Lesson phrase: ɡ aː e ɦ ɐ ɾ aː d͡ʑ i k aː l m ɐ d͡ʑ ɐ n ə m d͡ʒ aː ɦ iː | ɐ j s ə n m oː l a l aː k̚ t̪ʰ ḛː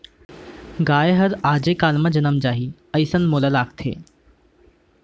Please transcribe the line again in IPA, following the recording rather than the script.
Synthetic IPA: ɡ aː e ɦ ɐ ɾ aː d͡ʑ e k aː l m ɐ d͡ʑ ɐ n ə m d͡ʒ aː ɦ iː | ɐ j s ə n m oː l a l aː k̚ t̪ʰ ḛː